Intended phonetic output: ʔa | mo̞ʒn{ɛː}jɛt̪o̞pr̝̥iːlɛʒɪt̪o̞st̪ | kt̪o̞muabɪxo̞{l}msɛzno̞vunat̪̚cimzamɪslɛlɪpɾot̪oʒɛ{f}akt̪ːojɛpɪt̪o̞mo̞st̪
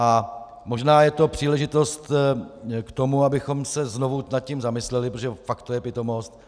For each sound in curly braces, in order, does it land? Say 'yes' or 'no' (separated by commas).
no, no, yes